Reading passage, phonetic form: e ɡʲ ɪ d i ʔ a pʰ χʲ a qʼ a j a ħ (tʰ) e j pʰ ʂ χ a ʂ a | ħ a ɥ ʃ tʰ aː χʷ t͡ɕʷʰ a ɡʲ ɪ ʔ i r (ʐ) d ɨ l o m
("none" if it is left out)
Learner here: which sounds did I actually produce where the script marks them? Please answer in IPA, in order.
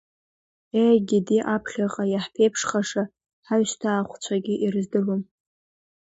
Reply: pʰ, z

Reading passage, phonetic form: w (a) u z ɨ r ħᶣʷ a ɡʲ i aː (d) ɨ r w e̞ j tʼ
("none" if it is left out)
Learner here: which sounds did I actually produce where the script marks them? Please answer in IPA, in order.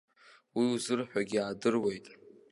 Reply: i, d

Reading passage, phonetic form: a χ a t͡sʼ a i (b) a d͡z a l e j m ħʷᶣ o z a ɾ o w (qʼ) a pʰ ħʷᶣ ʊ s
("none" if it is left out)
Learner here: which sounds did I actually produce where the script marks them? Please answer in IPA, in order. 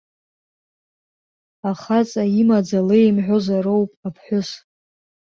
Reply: m, pʼ

